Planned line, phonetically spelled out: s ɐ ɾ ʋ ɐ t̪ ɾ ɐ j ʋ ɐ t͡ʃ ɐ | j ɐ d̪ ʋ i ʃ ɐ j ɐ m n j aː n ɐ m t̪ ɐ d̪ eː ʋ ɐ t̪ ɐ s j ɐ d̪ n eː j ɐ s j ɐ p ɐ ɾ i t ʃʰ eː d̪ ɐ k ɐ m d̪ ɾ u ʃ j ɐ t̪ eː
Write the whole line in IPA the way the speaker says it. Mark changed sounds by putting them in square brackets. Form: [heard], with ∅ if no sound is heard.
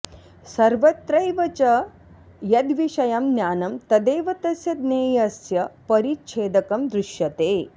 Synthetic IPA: s ɐ ɾ ʋ ɐ t̪ ɾ ɐ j ʋ ɐ t͡ʃ ɐ | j ɐ d̪ ʋ i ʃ ɐ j ɐ m n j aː n ɐ m t̪ ɐ d̪ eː ʋ ɐ t̪ ɐ s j ɐ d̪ n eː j ɐ s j ɐ p ɐ ɾ i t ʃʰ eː d̪ ɐ k ɐ m d̪ ɾ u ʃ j ɐ t̪ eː